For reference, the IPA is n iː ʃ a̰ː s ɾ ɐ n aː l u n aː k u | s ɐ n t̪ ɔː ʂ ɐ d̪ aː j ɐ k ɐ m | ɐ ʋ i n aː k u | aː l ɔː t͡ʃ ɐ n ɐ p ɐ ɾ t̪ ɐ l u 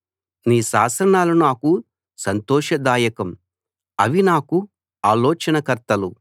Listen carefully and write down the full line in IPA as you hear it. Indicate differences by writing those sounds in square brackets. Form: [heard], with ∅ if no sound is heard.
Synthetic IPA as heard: n iː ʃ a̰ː s ɾ ɐ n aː l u n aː k u | s ɐ n t̪ ɔː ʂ ɐ d̪ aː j ɐ k ɐ m | ɐ ʋ i n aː k u | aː l ɔː t͡ʃ ɐ n ɐ [k] ɐ ɾ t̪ ɐ l u